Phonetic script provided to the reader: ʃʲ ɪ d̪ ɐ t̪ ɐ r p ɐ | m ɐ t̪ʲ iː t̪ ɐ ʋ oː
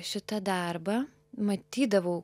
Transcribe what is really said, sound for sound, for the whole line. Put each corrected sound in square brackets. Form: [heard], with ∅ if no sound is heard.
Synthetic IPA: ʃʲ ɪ [t̪] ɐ [d̪] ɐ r [b] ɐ | m ɐ t̪ʲ iː [d̪] ɐ ʋ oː